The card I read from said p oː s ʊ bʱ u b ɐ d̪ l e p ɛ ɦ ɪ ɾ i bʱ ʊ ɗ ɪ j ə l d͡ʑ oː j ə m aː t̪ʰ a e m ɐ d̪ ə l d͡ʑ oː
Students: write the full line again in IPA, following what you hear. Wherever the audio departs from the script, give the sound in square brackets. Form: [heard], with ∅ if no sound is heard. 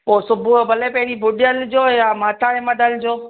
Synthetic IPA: p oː s ʊ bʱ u b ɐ [∅] l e p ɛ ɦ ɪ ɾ i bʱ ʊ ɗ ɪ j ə l d͡ʑ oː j [a] m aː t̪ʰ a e m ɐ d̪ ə l d͡ʑ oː